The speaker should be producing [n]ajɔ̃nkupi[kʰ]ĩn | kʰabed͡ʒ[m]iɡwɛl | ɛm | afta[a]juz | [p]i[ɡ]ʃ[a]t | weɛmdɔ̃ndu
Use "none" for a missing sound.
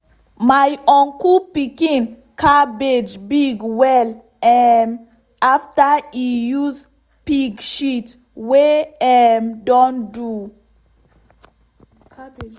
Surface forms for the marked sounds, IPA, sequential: m, k, b, i, p, ɡ, i

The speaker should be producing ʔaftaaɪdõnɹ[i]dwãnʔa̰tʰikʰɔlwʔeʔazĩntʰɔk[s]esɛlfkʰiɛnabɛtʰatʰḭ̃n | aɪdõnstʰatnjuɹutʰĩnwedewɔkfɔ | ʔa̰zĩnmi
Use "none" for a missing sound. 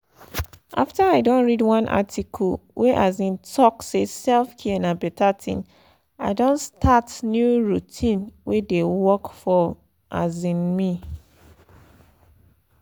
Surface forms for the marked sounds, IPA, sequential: i, s

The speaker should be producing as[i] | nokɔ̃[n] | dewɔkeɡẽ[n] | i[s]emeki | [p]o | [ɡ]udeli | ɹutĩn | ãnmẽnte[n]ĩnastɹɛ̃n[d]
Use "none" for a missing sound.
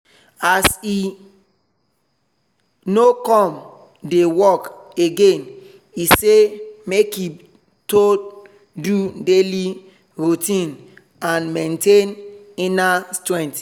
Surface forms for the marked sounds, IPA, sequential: i, m, n, s, t, d, n, t

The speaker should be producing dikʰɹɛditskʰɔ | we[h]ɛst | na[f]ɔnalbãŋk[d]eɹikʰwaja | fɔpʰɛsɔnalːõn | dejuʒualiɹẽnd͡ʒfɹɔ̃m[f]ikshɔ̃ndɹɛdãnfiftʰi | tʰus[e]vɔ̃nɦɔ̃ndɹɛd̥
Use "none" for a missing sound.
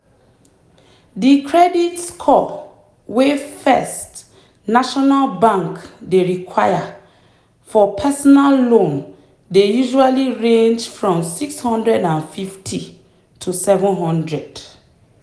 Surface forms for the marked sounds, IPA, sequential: f, ʃ, d, s, ɛ

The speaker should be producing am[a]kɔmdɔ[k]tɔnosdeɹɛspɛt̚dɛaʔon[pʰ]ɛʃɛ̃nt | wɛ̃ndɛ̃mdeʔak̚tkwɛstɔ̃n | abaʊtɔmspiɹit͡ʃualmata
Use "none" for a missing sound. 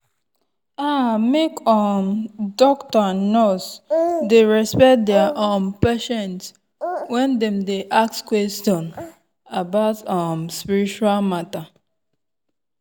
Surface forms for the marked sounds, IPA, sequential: e, k, p

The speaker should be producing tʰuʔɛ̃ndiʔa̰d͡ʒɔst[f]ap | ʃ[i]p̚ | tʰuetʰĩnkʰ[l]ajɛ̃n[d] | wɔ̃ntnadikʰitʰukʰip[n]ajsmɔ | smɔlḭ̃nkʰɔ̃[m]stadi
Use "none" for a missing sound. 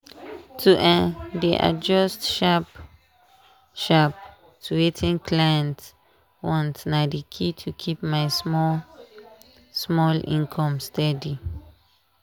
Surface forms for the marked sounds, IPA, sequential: ʃ, a, l, t, m, m

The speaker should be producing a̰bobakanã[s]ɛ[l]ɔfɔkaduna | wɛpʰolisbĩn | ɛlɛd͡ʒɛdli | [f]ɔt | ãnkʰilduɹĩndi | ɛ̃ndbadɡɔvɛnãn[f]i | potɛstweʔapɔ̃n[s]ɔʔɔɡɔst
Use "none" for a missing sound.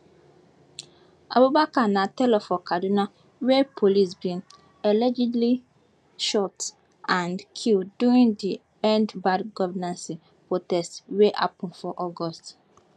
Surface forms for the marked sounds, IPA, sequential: t, l, ʃ, s, f

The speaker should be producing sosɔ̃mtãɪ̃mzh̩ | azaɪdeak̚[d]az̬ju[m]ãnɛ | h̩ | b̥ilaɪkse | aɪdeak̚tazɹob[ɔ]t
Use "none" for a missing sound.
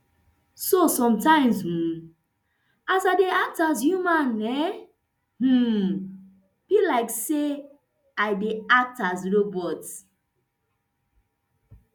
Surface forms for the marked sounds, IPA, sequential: t, m, ɔ

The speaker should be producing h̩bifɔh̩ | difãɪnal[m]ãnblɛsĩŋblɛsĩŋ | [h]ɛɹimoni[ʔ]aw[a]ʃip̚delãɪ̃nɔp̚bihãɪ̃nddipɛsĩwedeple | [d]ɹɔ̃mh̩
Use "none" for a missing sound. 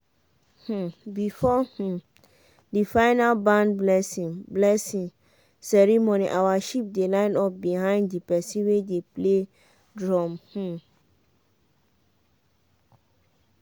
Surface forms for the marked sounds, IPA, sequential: b, s, ʔ, a, d

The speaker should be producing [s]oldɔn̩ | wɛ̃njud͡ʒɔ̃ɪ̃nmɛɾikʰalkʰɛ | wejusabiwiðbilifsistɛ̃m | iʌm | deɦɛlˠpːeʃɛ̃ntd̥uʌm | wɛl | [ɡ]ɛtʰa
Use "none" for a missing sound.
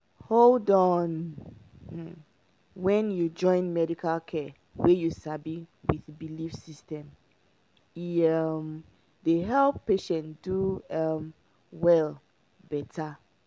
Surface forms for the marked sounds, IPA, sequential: h, b

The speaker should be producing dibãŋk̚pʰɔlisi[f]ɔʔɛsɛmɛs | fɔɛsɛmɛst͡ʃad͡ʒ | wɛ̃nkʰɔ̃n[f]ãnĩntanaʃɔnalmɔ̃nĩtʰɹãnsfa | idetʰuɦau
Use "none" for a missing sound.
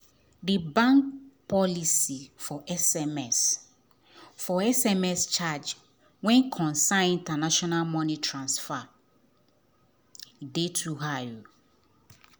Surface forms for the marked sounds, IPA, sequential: f, s

